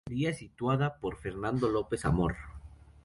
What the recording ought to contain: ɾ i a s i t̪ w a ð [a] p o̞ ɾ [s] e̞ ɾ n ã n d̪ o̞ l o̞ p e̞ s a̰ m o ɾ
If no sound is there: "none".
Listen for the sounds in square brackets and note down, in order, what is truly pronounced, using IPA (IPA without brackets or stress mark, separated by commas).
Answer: a, f